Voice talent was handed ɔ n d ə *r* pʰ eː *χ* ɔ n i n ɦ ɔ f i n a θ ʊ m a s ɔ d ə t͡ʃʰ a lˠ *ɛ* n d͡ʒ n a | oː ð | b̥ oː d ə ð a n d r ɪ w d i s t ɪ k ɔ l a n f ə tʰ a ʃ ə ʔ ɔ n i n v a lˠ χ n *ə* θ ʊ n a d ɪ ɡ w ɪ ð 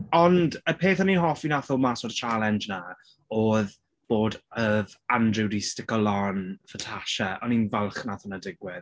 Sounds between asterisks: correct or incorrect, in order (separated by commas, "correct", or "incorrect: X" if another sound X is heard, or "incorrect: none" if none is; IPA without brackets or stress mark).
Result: incorrect: none, incorrect: θ, correct, incorrect: a